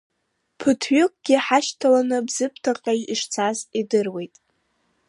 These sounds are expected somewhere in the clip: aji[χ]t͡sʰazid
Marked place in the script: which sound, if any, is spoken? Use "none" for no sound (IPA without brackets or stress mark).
ʂ